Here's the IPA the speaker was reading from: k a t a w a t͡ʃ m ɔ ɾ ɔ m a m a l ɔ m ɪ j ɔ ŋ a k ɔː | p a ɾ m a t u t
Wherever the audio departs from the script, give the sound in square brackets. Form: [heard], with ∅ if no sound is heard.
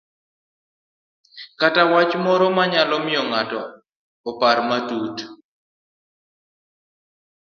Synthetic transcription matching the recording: k a t a w a t͡ʃ m ɔ ɾ ɔ m a [ɲ] a l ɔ m ɪ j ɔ ŋ a [t] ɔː | p a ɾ m a t u t